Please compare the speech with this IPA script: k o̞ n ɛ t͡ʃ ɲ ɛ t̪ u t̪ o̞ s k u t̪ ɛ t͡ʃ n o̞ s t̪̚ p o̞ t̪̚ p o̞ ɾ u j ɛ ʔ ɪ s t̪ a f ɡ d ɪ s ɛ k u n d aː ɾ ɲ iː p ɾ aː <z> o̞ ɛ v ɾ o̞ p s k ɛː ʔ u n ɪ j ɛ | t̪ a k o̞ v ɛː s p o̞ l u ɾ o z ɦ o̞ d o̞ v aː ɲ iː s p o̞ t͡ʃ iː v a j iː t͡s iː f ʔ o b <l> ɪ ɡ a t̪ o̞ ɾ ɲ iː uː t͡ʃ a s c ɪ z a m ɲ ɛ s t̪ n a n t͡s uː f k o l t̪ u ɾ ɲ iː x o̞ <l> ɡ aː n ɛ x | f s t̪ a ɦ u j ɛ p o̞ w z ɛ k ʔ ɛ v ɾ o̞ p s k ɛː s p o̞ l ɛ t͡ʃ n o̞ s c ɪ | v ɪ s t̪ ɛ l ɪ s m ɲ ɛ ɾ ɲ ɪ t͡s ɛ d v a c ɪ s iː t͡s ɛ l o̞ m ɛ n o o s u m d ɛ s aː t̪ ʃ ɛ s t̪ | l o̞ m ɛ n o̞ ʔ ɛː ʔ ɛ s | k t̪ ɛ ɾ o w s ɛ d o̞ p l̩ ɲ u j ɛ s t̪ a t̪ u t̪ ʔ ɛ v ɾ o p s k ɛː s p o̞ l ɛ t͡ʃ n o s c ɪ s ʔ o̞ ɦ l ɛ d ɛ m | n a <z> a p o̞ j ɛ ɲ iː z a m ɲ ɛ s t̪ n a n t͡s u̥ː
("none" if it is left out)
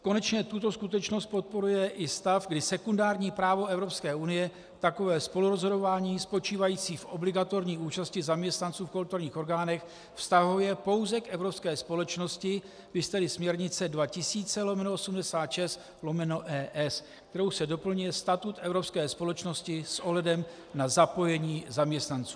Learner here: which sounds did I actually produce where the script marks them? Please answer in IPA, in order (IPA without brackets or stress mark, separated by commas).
v, l, ɾ, z